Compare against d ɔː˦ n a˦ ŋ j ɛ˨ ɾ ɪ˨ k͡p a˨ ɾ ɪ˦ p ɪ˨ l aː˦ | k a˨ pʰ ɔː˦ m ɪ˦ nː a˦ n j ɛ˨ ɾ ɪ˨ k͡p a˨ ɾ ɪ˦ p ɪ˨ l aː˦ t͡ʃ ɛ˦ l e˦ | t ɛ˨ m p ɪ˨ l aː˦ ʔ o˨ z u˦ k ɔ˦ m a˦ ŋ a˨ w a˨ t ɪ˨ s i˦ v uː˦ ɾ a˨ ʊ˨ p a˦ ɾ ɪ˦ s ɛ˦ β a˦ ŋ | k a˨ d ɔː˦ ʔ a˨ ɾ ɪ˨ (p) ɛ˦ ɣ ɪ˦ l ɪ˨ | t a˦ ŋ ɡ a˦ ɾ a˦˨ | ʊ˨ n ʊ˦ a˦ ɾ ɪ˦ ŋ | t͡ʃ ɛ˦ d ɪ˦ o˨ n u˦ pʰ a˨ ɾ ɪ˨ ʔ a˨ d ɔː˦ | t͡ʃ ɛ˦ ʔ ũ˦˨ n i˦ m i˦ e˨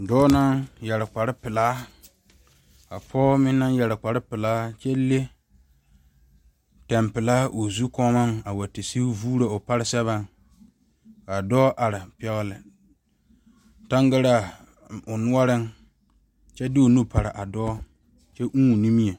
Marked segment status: correct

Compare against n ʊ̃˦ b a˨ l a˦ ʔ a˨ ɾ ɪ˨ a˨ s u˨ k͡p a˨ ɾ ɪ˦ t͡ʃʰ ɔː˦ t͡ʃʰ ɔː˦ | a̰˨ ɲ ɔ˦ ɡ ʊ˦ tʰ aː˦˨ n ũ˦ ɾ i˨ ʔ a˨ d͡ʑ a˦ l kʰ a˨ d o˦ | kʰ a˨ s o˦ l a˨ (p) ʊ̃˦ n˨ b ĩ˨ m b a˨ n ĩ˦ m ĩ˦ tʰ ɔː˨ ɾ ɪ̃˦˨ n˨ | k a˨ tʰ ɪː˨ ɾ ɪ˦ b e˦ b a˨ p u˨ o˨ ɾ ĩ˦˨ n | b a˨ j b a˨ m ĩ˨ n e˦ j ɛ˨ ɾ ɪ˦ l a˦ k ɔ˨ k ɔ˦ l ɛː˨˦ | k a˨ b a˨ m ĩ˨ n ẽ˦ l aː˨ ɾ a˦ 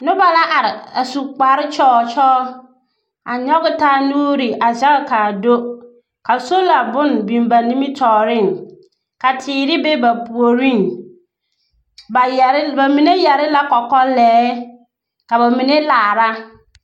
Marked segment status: incorrect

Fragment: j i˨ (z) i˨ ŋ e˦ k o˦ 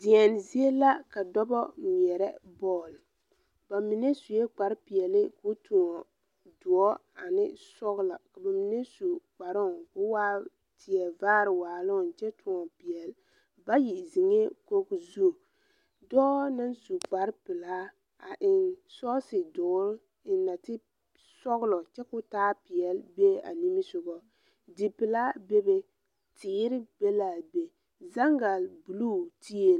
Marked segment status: correct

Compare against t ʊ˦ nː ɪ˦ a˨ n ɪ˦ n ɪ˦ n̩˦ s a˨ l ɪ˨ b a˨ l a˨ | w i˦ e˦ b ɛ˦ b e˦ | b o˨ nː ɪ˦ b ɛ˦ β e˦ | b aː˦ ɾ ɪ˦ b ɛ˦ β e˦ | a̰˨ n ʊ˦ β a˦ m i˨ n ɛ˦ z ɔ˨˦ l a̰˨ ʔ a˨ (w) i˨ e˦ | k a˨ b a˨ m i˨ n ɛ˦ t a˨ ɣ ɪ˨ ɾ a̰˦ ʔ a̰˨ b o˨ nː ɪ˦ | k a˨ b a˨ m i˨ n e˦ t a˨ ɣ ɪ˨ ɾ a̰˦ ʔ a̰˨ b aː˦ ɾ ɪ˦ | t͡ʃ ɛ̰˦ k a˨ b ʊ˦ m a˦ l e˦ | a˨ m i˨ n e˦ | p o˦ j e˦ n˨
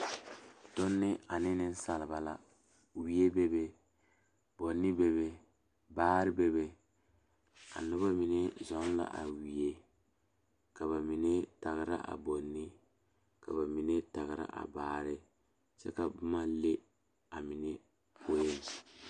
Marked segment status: correct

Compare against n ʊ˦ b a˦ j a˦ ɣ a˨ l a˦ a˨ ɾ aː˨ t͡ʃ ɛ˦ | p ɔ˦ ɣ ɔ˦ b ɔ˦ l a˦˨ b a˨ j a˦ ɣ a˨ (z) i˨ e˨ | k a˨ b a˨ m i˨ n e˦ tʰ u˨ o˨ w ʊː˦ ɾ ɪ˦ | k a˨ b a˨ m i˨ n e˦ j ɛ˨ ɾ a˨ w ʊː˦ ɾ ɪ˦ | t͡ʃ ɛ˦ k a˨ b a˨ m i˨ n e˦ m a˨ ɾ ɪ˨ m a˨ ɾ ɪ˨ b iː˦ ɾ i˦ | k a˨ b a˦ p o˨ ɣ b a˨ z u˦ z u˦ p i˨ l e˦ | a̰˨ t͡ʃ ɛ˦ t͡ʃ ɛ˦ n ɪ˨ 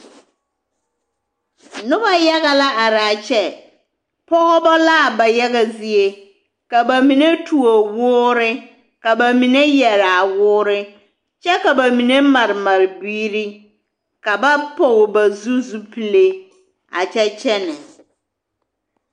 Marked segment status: correct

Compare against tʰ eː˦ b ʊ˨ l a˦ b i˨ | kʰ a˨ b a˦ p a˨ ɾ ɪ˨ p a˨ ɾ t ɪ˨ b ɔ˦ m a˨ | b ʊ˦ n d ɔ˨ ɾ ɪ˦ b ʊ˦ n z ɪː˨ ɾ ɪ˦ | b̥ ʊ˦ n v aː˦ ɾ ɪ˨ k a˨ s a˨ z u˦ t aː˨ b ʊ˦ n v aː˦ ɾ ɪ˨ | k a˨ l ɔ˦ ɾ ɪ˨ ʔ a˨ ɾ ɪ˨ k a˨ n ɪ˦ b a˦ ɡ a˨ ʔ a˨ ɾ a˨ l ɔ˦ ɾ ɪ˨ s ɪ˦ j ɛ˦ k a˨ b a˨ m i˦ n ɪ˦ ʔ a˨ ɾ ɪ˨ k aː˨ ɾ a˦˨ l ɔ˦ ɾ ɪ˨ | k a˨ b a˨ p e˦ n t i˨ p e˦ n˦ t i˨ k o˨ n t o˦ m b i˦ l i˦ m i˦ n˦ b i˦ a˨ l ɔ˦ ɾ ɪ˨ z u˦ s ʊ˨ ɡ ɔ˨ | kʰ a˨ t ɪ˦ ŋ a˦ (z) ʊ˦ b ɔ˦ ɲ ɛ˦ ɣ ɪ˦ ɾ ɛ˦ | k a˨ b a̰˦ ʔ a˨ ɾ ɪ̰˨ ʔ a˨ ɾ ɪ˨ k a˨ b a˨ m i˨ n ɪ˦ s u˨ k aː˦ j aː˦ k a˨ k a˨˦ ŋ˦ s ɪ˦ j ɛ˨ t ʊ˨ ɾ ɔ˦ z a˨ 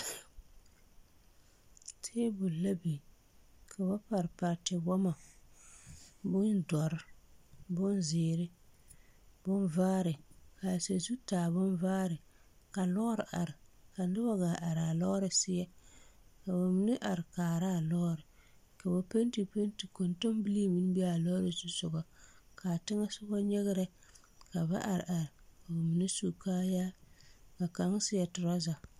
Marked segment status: incorrect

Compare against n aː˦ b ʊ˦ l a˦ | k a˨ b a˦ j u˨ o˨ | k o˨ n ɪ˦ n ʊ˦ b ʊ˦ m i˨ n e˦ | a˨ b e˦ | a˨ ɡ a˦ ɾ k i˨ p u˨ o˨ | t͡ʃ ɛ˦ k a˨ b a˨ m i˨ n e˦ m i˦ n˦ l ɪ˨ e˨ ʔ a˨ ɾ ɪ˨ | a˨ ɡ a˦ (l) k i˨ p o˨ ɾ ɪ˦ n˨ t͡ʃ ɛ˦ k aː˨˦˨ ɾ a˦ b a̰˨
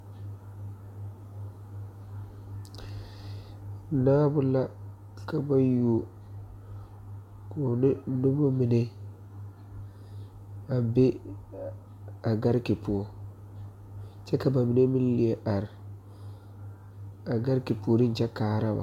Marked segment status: incorrect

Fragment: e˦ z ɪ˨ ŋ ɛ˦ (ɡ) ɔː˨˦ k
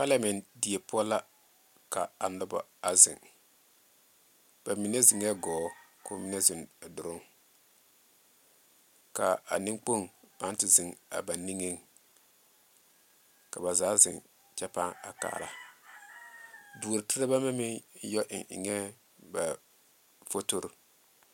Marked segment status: correct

